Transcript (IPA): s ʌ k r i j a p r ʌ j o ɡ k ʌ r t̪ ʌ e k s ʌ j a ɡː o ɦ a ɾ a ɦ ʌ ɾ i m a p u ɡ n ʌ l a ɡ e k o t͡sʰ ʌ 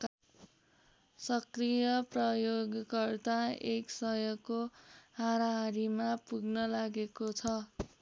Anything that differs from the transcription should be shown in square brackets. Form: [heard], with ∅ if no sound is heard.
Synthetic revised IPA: s ʌ k r i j [ʌ] p r ʌ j o ɡ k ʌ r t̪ [a] e k s ʌ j [ʌ] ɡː o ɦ a ɾ a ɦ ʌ ɾ i m a p u ɡ n ʌ l a ɡ e k o t͡sʰ ʌ